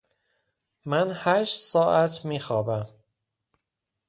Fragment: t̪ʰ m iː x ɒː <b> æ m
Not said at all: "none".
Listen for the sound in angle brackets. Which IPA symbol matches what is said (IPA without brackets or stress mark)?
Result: b